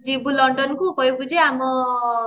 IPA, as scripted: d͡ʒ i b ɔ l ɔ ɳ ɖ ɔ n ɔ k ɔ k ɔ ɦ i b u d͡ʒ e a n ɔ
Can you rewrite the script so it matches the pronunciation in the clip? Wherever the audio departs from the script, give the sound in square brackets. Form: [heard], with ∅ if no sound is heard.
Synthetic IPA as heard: d͡ʒ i b [u] l ɔ ɳ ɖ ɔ n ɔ k [u] k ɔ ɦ i b u d͡ʒ e a [m] ɔ